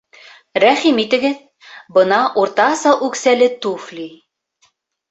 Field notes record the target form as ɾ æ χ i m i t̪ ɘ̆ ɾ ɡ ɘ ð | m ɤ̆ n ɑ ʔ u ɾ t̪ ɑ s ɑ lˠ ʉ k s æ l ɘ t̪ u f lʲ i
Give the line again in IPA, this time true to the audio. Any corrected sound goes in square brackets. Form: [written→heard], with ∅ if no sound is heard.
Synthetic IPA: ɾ æ χ i m i t̪ ɘ̆ [ɾ→∅] ɡ ɘ ð | [m→b] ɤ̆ n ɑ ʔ u ɾ t̪ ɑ s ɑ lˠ ʉ k s æ l ɘ t̪ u f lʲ i